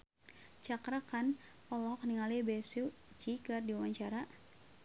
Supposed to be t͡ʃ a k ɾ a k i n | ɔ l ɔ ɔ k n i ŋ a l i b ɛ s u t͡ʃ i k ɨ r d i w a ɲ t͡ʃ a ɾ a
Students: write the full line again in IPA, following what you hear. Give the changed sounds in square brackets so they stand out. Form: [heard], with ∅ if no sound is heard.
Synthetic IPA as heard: t͡ʃ a k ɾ a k [a] n | ɔ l ɔ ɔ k n i ŋ a l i b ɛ s u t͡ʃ i k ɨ r d i w a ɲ t͡ʃ a ɾ a